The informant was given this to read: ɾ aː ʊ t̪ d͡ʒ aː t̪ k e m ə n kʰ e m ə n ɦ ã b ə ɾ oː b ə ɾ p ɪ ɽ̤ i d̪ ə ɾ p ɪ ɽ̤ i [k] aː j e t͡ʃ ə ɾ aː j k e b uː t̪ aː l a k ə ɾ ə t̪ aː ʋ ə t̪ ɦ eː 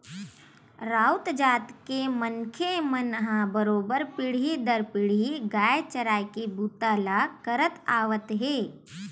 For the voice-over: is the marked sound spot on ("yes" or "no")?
no